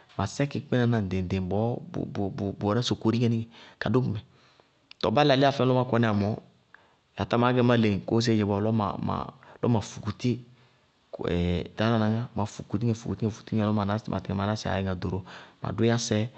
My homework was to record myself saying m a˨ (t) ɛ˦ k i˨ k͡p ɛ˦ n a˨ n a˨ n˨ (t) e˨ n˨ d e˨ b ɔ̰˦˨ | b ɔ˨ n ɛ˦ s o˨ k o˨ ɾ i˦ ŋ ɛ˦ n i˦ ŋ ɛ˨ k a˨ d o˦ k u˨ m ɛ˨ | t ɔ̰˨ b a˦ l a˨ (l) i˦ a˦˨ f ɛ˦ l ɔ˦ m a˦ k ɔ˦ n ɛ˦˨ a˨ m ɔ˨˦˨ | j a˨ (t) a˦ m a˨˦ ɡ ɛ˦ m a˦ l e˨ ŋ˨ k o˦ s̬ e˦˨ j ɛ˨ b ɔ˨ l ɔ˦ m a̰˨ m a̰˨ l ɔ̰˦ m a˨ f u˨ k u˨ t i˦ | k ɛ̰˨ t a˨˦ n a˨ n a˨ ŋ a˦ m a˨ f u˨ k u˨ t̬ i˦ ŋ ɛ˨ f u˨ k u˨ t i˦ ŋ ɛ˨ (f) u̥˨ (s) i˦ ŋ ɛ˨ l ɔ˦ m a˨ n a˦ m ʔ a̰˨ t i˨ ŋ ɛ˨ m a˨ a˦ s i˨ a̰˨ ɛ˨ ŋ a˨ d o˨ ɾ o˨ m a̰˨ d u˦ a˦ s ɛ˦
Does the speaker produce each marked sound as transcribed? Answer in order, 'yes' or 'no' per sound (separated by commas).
no, no, yes, yes, yes, no